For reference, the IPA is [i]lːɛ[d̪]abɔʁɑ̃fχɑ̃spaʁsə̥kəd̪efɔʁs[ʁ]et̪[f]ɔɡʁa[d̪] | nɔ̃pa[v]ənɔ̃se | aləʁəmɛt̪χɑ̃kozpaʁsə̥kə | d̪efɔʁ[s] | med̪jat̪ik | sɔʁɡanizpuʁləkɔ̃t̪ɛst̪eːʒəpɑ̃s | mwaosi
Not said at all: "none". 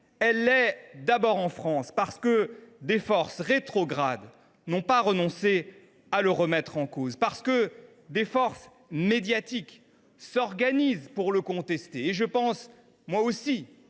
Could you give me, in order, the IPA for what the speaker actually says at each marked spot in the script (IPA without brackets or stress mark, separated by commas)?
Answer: ɛ, d̪, ʁ, χ, d̪, ʁ, s